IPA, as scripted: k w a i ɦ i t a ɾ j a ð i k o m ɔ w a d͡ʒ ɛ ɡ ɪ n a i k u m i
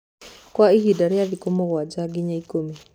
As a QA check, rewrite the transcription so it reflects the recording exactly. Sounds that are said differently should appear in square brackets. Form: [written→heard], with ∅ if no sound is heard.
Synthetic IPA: k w a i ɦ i [t→d] a ɾ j a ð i k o m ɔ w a d͡ʒ [ɛ→a] ɡ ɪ [n→ɲ] a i k [u→o] m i